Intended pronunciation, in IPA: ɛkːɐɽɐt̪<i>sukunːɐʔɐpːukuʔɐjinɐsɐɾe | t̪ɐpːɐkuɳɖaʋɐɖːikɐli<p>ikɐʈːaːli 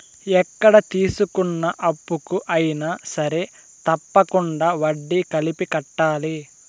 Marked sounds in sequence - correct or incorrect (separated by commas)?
incorrect, correct